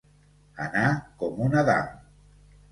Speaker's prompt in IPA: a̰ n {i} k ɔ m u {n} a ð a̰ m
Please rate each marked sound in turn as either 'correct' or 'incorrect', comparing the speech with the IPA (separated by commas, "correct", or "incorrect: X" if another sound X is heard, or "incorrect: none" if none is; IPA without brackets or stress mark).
incorrect: a, correct